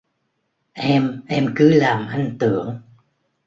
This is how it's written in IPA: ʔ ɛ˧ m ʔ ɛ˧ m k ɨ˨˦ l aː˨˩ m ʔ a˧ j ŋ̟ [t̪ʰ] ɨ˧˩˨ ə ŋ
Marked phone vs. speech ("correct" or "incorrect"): incorrect